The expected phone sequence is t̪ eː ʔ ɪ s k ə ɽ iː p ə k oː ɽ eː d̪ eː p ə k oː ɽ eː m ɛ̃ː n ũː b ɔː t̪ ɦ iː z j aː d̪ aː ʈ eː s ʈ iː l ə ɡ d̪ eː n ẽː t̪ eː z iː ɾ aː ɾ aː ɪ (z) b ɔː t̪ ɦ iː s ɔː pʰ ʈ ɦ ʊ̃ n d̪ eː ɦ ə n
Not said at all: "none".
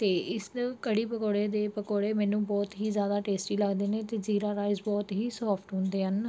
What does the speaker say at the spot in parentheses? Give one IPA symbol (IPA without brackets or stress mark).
z